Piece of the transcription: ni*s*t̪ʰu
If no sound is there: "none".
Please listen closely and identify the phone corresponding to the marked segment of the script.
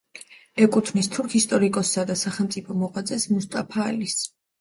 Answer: s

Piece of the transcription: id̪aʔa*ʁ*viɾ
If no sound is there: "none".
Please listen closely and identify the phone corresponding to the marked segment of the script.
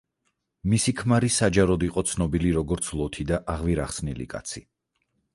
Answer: ʁ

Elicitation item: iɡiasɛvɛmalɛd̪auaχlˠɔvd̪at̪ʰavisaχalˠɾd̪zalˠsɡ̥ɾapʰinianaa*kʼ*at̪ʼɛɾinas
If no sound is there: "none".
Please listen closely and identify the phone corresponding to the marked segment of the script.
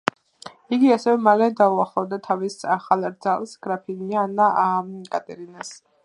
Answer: kʼ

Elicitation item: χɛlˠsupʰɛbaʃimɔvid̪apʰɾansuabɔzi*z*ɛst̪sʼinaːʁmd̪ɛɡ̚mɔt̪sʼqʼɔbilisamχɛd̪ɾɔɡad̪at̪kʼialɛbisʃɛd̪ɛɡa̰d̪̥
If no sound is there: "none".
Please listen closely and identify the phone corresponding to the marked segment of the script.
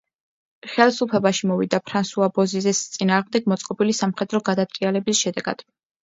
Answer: z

